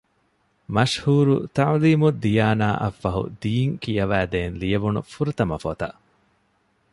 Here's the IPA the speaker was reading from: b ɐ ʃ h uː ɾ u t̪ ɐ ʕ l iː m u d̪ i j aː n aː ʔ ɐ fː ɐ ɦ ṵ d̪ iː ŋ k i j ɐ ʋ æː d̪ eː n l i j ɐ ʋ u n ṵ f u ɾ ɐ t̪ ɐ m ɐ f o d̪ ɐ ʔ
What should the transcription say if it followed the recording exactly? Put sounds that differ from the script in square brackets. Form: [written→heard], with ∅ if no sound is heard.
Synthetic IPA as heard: [b→m] ɐ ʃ h uː ɾ u t̪ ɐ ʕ l iː m u d̪ i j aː n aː ʔ ɐ fː ɐ ɦ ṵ d̪ iː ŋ k i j ɐ ʋ æː d̪ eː n l i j ɐ ʋ u n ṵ f u ɾ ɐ t̪ ɐ m ɐ f o [d̪→t̪] ɐ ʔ

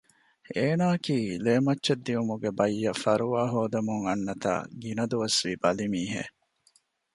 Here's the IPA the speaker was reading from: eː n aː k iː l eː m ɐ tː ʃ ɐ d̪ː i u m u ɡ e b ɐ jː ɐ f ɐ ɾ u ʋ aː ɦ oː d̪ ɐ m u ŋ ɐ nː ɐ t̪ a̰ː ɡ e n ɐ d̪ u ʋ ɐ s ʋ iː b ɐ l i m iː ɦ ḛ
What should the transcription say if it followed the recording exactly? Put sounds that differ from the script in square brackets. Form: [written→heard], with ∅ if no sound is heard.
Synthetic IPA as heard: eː n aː k iː l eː m ɐ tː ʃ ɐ d̪ː i u m u ɡ e b ɐ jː ɐ f ɐ ɾ u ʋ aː ɦ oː d̪ ɐ m u ŋ ɐ nː ɐ t̪ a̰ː ɡ [e→i] n ɐ d̪ u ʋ ɐ s ʋ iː b ɐ l i m iː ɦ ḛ

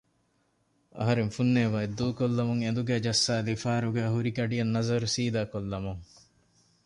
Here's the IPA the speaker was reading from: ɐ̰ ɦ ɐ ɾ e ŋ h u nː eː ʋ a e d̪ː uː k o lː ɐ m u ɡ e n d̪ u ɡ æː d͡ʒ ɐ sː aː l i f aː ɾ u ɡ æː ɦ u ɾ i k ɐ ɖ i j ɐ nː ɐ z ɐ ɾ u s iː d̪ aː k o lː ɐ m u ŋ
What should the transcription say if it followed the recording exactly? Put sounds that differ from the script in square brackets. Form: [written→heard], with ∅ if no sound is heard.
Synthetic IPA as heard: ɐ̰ ɦ ɐ ɾ e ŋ [h→f] u nː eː ʋ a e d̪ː uː k o lː ɐ m u [ɡ→ŋ] e n d̪ u ɡ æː d͡ʒ ɐ sː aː l i f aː ɾ u ɡ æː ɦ u ɾ i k ɐ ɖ i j ɐ nː ɐ z ɐ ɾ u s iː d̪ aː k o lː ɐ m u ŋ

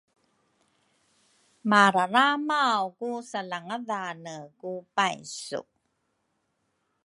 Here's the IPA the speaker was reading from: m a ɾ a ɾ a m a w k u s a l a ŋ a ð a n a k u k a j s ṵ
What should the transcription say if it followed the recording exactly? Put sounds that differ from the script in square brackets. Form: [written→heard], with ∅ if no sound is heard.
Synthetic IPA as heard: m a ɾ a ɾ a m a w k u s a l a ŋ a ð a n [a→ə] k u [k→p] a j s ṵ

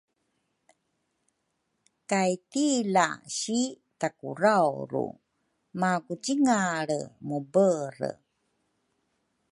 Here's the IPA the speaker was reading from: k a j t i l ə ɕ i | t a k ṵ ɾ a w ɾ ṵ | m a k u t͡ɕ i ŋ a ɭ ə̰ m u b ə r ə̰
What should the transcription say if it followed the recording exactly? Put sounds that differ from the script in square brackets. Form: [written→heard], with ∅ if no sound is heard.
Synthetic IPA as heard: k a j t i l [ə→a] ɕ i | t a k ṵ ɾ a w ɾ ṵ | m a k u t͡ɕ i ŋ a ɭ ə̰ m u b ə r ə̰

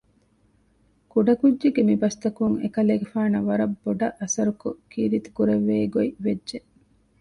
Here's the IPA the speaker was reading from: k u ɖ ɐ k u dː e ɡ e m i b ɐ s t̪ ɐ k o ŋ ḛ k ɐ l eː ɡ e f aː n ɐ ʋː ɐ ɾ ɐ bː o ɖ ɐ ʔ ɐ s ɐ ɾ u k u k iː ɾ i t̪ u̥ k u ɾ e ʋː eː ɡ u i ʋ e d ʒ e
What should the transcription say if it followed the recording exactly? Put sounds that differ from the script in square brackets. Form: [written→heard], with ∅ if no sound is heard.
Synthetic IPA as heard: k u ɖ ɐ k u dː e ɡ e m i b ɐ s t̪ ɐ k [o→u] ŋ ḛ k ɐ l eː ɡ e f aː n ɐ [ʋː→ʋ] ɐ ɾ ɐ bː o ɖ ɐ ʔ ɐ s ɐ ɾ u k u k iː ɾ i t̪ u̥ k u ɾ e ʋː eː ɡ [u→o] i ʋ e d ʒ e

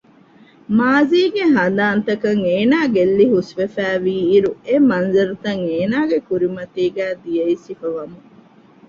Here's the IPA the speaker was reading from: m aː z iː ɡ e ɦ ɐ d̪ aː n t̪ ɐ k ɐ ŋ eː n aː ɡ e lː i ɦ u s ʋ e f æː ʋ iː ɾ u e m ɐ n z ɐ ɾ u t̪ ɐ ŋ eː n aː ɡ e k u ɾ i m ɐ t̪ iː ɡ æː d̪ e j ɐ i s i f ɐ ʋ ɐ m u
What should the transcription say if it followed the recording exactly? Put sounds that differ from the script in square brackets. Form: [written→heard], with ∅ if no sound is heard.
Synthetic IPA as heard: m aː z iː ɡ e ɦ ɐ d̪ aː n t̪ ɐ k ɐ ŋ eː n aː ɡ e lː i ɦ u s ʋ e f æː ʋ iː ɾ u e m ɐ n z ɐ ɾ u t̪ ɐ ŋ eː n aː ɡ e k u ɾ i m ɐ t̪ iː ɡ æː d̪ [e→i] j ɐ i s i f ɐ ʋ ɐ m u

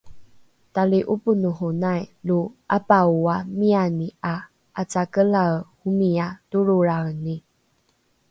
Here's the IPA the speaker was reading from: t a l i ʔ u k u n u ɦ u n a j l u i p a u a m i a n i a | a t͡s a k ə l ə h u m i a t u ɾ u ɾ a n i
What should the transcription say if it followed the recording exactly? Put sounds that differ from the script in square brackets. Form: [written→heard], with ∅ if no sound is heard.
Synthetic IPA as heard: t a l i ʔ u [k→p] u n u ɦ u n a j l u [i→a] p a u a m i a n i a | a t͡s a k ə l [ə→a] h u m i a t u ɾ u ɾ a n i

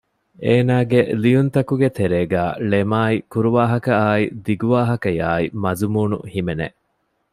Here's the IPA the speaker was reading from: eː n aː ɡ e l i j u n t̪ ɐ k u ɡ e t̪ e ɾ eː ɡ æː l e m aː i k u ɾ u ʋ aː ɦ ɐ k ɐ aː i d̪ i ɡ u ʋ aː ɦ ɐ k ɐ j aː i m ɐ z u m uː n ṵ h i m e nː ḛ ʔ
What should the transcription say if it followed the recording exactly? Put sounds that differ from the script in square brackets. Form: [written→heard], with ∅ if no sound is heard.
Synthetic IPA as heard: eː n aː ɡ e l i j u n t̪ ɐ k u ɡ e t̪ e ɾ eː ɡ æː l e m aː i k u ɾ u ʋ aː ɦ ɐ k ɐ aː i d̪ i ɡ u ʋ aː ɦ ɐ k ɐ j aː i m ɐ z u m uː n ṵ h i m e [nː→n] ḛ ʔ

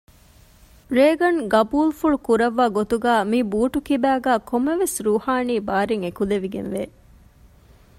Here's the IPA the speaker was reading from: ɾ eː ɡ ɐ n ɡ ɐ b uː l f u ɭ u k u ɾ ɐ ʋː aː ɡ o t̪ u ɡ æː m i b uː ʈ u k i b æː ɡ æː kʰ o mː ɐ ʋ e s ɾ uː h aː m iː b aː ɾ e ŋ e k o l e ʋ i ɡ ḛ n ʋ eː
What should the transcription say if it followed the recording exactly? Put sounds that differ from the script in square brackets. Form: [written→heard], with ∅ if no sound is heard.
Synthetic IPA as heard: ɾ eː ɡ ɐ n ɡ ɐ b uː l f u ɭ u k u ɾ ɐ ʋː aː ɡ o t̪ u ɡ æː m i b uː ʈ u k i b æː ɡ æː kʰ o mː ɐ ʋ e s ɾ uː h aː [m→n] iː b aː ɾ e ŋ e k [o→u] l e ʋ i ɡ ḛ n ʋ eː

